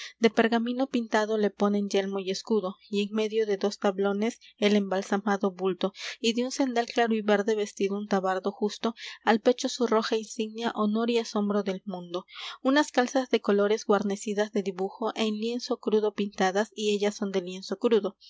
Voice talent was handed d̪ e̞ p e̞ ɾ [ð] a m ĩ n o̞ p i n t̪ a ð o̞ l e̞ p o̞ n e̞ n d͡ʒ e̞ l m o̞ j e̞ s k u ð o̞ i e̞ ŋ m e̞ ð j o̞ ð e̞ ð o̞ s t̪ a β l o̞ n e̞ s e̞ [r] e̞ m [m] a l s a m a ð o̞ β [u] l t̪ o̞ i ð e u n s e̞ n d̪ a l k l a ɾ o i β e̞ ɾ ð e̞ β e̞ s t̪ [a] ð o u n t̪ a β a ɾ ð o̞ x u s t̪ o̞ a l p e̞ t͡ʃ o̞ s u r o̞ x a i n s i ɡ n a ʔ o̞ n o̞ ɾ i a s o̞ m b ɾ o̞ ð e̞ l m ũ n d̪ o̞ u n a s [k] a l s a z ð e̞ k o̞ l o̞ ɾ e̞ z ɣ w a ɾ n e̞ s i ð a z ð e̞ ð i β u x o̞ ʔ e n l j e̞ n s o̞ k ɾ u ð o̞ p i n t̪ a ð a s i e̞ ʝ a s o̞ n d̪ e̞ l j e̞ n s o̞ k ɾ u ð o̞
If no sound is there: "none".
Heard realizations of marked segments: ɣ, l, b, u, i, k

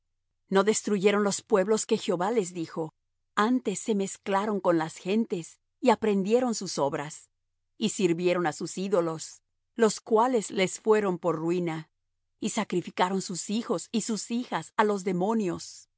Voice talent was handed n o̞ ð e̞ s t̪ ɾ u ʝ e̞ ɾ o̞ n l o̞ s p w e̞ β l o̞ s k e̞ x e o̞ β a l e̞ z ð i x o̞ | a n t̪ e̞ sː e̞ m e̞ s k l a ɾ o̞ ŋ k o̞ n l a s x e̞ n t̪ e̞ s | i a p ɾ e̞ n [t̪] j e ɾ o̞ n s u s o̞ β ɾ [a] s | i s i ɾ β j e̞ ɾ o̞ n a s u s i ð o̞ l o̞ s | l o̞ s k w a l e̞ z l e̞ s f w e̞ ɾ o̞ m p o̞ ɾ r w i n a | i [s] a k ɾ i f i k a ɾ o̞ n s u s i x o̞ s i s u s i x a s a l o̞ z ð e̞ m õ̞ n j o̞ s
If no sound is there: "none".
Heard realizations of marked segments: d̪, a, s

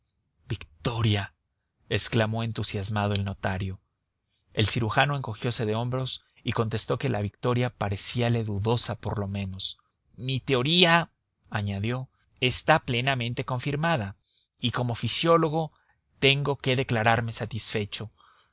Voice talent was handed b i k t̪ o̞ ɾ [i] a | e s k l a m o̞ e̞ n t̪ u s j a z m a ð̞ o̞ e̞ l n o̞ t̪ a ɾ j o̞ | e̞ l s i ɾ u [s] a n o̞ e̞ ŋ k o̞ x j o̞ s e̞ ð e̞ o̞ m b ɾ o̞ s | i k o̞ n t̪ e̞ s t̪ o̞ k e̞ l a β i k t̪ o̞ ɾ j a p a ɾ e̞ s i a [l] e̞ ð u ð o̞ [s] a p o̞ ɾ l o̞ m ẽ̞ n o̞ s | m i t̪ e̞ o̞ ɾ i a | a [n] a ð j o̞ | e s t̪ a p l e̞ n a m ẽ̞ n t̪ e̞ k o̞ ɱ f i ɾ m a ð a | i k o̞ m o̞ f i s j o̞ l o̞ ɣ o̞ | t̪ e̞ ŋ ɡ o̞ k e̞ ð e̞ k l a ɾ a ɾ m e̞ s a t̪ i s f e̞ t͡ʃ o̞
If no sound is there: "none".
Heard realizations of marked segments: j, x, l, s, ɲ

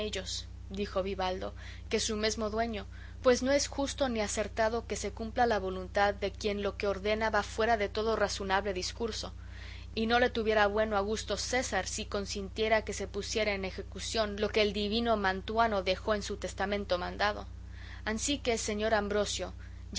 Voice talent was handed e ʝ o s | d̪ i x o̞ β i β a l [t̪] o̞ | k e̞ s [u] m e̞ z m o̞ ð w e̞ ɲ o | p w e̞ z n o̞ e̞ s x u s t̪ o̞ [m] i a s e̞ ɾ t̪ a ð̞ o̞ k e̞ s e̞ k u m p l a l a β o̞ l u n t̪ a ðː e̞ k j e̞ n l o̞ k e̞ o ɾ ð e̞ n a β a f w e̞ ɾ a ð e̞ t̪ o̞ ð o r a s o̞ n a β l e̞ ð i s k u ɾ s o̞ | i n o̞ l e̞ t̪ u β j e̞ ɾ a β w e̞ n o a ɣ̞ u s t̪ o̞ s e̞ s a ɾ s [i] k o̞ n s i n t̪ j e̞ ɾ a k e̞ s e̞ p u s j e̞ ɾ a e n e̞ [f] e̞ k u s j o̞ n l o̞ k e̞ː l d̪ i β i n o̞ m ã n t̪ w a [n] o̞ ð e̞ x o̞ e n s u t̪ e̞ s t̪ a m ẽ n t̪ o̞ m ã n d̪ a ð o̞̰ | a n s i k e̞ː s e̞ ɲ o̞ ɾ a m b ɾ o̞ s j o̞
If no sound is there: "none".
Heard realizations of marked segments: d̪, u, n, i, x, n

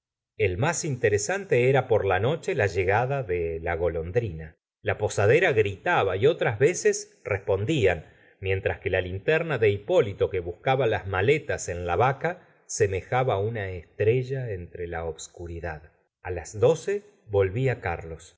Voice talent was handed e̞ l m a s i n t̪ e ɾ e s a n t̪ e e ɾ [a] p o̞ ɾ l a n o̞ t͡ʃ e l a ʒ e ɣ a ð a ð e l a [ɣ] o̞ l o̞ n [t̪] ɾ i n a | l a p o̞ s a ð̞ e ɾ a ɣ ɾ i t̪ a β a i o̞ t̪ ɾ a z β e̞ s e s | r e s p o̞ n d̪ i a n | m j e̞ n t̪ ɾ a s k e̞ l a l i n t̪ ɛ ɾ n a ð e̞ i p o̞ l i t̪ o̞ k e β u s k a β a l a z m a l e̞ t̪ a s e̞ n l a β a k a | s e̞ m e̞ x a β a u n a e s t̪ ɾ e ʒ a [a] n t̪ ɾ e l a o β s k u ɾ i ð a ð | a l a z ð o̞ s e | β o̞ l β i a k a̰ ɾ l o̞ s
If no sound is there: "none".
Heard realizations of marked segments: a, ɣ, d̪, e

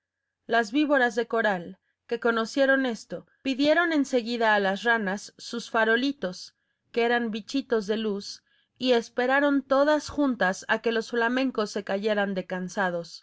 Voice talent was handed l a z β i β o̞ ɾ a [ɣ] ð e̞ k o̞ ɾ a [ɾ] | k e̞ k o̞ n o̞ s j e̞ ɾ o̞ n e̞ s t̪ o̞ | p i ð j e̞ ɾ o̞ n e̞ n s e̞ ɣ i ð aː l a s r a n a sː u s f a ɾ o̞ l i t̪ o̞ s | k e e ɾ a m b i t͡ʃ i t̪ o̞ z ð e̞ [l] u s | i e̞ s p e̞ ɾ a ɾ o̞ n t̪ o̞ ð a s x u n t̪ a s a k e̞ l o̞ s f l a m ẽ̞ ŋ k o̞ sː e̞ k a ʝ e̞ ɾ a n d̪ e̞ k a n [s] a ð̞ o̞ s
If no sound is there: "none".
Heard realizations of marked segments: z, l, l, s

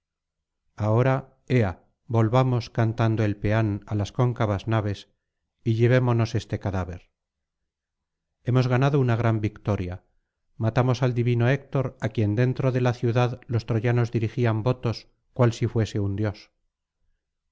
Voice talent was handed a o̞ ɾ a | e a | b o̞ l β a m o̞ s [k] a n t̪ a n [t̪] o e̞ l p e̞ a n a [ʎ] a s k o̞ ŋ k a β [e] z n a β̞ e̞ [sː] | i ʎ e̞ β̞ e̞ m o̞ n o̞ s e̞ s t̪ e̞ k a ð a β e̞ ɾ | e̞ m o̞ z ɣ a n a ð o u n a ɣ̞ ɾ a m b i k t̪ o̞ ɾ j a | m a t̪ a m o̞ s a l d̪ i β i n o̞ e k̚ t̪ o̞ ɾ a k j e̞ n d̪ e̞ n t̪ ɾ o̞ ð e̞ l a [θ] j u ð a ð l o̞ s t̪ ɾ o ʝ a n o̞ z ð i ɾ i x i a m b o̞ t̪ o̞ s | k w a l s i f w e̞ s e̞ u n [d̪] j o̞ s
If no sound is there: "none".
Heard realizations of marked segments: k, d̪, l, a, s, θ, d̪

